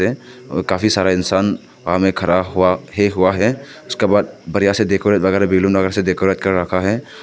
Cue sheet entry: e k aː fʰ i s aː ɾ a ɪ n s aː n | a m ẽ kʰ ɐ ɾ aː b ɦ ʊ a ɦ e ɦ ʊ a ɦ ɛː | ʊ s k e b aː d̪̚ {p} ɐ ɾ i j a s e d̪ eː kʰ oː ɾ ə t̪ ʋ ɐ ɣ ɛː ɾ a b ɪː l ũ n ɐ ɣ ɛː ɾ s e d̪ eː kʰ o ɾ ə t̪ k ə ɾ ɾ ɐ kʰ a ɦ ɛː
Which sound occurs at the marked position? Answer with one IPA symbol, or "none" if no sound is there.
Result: b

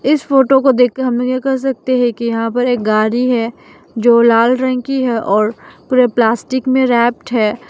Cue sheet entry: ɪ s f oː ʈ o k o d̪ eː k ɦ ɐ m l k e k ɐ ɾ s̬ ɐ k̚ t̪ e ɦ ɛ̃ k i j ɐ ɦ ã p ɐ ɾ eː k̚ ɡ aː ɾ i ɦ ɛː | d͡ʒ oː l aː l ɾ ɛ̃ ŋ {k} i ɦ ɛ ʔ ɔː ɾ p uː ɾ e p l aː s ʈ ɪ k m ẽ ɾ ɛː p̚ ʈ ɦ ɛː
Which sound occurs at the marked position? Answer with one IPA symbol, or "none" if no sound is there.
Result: k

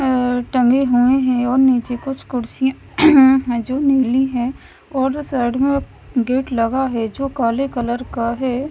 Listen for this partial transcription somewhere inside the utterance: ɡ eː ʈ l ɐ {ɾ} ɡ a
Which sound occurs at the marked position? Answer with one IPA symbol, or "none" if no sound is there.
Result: none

